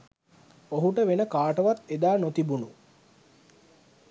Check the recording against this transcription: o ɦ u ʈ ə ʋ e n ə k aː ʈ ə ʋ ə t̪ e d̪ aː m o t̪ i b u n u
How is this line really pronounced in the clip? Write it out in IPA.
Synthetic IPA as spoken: o ɦ u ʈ ə ʋ e n ə k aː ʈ ə ʋ a t̪ e d̪ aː n o t̪ i b u n u

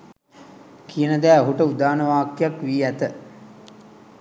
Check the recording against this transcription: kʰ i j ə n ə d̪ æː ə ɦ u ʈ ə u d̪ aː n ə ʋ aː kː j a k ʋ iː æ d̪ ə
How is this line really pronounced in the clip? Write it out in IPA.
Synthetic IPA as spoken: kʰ i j ə n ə d̪ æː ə ɦ u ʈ ə u d̪ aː n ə ʋ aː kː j a k ʋ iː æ t̪ ə

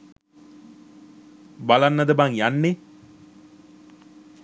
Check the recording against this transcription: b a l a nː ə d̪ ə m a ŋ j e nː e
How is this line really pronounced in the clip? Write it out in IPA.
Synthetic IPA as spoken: b a l a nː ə d̪ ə b a ŋ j a nː e

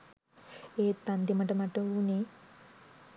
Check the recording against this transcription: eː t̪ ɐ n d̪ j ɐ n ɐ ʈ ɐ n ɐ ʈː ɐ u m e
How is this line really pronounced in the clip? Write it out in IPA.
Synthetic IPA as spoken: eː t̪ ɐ n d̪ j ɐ m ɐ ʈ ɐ m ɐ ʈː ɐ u n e

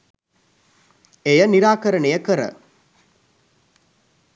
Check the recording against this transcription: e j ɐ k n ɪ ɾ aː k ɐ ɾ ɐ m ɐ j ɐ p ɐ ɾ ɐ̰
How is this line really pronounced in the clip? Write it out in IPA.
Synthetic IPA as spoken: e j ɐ n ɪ ɾ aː k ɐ ɾ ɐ ɳ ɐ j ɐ k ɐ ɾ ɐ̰

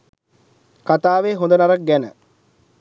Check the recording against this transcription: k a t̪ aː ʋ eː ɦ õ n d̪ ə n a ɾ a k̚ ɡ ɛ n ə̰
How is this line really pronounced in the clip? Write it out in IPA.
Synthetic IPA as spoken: k a t̪ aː ʋ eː ɦ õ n d̪ ə n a ɾ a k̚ ɡ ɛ n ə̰

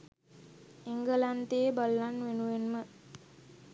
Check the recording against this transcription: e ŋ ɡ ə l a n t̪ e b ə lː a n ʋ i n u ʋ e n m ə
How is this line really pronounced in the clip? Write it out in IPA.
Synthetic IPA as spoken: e ŋ ɡ ə l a n t̪ e b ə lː a n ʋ e n u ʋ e n m ə

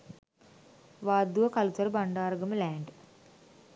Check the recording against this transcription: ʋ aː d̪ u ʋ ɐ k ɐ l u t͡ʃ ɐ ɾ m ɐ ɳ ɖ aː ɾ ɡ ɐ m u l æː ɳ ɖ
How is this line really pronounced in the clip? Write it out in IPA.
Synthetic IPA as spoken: ʋ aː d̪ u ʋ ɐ k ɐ l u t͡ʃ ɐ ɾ b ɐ ɳ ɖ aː ɾ ɡ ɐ m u l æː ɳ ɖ

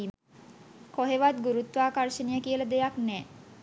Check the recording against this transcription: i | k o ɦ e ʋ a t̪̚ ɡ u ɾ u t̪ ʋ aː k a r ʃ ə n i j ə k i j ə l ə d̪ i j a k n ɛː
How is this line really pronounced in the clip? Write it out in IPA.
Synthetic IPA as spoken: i | k o ɦ e ʋ a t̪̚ ɡ u ɾ u t̪ ʋ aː k a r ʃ ə n i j ə k i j ə l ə d̪ e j a k n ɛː

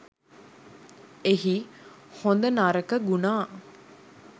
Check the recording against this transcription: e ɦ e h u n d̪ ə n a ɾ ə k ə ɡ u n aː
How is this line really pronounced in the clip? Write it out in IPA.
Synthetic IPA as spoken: e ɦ i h o n d̪ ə n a ɾ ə k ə ɡ u n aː

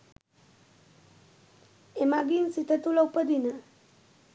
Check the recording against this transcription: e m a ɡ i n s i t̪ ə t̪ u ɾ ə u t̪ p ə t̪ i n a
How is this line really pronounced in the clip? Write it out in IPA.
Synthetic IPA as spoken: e m a ɡ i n s i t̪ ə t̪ u l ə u p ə d̪ i n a

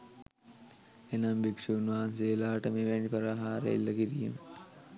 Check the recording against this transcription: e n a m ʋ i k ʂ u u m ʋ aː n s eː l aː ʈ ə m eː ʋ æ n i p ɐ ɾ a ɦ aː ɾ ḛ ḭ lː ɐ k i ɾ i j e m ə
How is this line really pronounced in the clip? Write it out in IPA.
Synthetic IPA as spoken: e n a m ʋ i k ʂ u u n ʋ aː n s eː l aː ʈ ə m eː ʋ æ n i p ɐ ɾ a ɦ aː ɾ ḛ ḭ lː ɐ k i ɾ i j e m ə

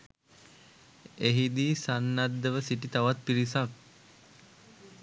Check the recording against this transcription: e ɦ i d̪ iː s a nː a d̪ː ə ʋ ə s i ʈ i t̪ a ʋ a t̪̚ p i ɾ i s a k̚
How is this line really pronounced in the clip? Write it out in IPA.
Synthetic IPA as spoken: e ɦ i d̪ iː s a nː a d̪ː ə ʋ ə s i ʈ i t̪ a ʋ a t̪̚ p i ɾ i s a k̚

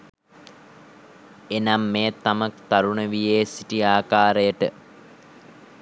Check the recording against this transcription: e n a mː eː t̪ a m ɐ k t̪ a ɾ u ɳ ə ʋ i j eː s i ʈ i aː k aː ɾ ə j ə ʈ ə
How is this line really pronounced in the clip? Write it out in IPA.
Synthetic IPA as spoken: e n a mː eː t̪ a m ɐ k t̪ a ɾ u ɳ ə ʋ i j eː s i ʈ i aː k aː ɾ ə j ə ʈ ə

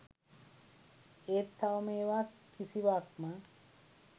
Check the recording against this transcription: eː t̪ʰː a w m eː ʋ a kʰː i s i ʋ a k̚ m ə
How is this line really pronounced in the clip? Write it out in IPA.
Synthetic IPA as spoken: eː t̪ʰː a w m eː ʋ a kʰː i s i ʋ a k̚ m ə

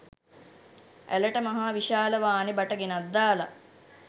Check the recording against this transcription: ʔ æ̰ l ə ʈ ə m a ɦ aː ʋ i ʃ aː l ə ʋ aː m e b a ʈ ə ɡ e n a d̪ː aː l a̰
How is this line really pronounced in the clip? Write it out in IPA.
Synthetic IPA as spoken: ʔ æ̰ l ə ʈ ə m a ɦ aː ʋ i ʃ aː l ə ʋ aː n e b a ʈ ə ɡ e n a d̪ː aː l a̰

